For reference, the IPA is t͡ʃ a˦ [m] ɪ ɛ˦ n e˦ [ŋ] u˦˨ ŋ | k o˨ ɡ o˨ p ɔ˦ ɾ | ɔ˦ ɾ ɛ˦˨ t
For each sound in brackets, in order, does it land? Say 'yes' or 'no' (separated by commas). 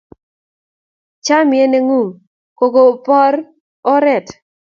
yes, yes